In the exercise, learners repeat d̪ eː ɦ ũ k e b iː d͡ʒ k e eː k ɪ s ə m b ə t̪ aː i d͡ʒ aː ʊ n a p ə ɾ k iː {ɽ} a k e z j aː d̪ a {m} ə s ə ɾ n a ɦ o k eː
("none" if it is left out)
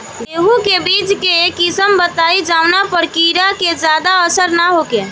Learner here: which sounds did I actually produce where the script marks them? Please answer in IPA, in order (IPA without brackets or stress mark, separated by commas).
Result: ɾ, none